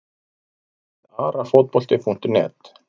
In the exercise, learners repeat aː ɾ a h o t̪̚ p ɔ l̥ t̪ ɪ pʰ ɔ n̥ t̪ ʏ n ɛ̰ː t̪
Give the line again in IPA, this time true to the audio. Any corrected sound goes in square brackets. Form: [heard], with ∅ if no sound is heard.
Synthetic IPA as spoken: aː ɾ a [f] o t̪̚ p ɔ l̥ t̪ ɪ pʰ [u] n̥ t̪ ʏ n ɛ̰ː t̪

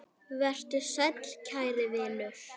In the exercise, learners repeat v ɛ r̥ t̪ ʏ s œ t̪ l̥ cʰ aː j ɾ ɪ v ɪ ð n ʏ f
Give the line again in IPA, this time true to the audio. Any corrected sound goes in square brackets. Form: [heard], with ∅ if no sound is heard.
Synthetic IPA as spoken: v ɛ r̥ t̪ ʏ s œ t̪ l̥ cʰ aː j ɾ ɪ v ɪ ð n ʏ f

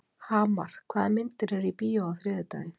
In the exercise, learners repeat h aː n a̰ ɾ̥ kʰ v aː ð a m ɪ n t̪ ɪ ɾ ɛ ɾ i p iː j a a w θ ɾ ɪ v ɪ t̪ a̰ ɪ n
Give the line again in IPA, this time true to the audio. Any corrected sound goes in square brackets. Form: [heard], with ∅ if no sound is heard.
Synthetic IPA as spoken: h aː [m] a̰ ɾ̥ kʰ v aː ð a m ɪ n t̪ ɪ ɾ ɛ ɾ i p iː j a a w θ ɾ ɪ [ð] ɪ t̪ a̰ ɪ n

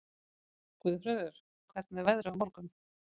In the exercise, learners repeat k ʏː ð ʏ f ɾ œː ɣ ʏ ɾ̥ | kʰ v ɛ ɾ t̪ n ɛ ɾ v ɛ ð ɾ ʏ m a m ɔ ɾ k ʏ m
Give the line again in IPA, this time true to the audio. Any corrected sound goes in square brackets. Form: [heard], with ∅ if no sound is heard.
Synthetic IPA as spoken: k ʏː ð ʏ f ɾ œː [ð] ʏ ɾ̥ | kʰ v ɛ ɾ t̪ n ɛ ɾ v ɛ ð ɾ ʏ [∅] a m ɔ ɾ k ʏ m

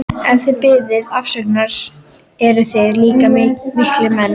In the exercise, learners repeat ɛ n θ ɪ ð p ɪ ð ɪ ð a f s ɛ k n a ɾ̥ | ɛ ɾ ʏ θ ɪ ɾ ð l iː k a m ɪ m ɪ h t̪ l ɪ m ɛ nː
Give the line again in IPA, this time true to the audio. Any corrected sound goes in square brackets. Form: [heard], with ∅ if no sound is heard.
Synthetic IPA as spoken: ɛ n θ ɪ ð p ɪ ð ɪ ð a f s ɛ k n a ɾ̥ | ɛ ɾ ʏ θ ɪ [∅] ð l iː k a m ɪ m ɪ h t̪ l ɪ m ɛ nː

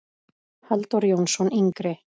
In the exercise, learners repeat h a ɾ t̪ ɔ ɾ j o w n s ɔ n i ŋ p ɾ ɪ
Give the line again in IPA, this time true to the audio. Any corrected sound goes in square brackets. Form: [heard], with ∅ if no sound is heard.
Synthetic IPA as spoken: h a [l] t̪ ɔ ɾ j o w n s ɔ n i ŋ [k] ɾ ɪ

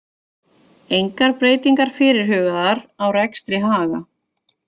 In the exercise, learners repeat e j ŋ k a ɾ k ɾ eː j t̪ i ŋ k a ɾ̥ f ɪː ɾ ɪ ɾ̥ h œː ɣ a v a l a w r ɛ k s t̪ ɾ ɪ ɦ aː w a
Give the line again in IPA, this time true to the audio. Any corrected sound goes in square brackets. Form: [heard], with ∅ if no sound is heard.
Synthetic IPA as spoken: e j ŋ k a ɾ [p] ɾ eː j t̪ i ŋ k a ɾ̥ f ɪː ɾ ɪ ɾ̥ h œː ɣ a [ð] a [ɾ] a w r ɛ k s t̪ ɾ ɪ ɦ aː [ɣ] a

